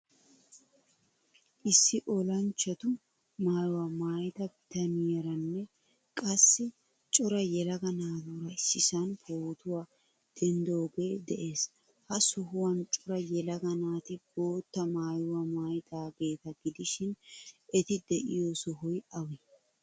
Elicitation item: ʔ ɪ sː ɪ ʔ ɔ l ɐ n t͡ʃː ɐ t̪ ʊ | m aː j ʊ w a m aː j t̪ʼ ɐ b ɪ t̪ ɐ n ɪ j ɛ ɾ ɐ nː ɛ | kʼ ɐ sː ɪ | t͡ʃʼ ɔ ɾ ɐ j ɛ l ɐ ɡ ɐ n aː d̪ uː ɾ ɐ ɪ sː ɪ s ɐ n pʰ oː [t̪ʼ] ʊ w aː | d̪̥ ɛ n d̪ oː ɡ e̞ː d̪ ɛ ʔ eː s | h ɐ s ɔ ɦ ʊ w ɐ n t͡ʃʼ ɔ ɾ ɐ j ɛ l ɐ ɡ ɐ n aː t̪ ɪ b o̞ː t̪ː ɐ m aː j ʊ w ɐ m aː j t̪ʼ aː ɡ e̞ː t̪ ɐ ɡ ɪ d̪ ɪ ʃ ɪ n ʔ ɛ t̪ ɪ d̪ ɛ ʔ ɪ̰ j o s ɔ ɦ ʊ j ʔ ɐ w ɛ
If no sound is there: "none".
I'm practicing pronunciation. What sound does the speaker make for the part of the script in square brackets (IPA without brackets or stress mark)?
t̪